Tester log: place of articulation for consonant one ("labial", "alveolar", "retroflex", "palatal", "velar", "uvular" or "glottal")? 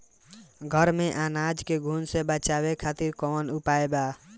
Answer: velar